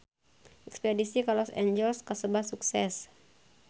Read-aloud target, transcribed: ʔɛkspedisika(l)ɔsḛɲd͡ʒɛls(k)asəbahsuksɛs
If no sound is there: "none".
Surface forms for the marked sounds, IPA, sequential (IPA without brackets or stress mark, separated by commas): l, k